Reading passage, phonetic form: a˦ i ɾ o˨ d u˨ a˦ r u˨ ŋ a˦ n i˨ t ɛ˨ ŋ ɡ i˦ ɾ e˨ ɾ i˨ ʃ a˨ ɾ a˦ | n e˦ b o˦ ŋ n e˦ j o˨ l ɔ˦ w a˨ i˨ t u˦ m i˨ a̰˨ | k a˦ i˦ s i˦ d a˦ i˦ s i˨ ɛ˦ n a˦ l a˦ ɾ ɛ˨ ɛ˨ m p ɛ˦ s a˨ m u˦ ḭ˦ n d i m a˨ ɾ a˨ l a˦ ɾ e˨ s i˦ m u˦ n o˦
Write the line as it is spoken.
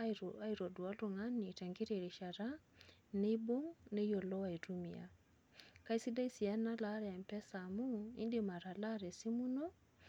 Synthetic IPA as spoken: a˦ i ɾ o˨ d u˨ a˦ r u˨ ŋ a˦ n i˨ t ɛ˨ ŋ ɡ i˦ ɾ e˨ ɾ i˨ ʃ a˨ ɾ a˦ | n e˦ b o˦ ŋ n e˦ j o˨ l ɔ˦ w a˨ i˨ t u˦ m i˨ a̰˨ | k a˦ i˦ s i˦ d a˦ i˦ s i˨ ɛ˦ n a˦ l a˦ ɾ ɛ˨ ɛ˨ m p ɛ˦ s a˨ m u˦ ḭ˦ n d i m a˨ ɾ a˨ l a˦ ɾ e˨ s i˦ m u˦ n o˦